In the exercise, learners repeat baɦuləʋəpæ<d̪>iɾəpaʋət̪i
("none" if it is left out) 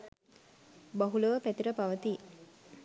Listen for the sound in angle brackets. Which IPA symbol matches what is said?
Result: t̪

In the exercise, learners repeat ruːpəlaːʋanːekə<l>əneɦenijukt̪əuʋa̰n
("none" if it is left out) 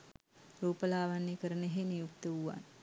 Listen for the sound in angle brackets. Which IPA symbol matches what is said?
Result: ɾ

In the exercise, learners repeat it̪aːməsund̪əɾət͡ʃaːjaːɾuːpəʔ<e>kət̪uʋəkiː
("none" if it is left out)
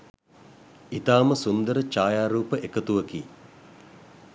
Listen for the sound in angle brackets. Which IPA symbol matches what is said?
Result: e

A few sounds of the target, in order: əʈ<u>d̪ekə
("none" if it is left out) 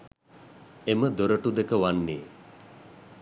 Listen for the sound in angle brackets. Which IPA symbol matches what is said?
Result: u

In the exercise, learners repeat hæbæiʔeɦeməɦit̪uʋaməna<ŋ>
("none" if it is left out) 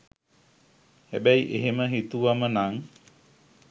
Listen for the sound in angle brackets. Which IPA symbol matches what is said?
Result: ŋ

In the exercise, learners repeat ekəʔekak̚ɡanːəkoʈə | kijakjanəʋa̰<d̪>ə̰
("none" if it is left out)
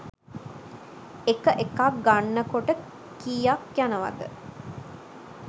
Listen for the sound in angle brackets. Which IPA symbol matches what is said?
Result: d̪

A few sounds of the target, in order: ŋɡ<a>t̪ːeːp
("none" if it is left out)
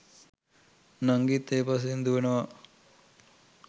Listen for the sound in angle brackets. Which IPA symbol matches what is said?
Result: i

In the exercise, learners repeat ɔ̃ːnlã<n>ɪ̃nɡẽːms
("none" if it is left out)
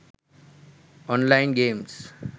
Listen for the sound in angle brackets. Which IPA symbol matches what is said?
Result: none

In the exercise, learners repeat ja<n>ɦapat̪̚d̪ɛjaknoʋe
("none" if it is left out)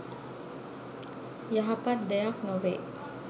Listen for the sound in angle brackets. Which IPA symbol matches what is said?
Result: none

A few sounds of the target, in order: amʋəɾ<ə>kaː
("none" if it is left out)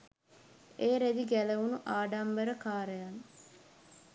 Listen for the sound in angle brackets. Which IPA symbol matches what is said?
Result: ə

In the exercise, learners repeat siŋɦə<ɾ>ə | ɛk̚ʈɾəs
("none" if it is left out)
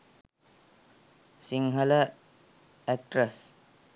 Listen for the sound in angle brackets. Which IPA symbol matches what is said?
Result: l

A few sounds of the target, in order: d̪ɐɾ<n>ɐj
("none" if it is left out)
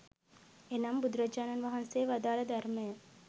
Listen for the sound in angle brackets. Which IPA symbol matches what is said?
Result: m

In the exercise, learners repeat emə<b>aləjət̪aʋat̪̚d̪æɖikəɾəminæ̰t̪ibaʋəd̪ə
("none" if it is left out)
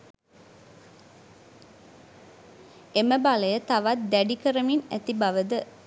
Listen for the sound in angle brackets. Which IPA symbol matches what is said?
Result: b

